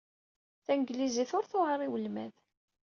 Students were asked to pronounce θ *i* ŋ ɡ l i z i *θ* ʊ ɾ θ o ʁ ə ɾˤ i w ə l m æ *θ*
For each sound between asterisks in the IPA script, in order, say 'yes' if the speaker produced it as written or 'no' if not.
no, yes, no

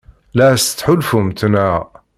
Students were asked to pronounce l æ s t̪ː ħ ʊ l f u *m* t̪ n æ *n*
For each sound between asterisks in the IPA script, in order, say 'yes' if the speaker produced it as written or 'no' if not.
yes, no

